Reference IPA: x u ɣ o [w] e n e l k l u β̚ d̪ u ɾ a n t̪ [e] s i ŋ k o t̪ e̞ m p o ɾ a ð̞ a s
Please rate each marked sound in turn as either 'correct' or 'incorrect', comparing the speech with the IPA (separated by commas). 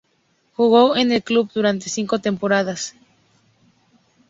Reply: correct, correct